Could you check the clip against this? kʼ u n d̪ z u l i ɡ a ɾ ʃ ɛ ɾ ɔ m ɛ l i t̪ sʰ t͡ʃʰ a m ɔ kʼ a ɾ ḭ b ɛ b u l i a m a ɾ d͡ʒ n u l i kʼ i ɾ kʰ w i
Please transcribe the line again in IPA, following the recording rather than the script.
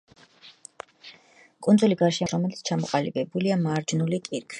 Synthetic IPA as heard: kʼ u n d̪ z u l i ɡ a ɾ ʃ ɛ ɾ ɔ m ɛ l i t̪ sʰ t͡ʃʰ a m ɔ qʼ a l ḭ b ɛ b u l i a m a ɾ d͡ʒ n u l i kʼ i ɾ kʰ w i